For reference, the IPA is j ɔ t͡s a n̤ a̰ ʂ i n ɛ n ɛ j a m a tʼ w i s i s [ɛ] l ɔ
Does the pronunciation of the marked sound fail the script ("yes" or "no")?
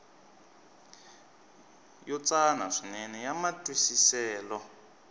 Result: yes